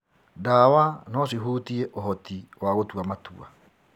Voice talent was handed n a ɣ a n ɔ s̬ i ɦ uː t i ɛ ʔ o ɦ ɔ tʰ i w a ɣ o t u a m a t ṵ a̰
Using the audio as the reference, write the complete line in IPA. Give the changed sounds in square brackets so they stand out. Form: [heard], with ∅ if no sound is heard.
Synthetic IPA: [d] a [w] a n ɔ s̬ i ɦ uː t i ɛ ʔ o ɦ ɔ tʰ i w a ɣ o t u a m a t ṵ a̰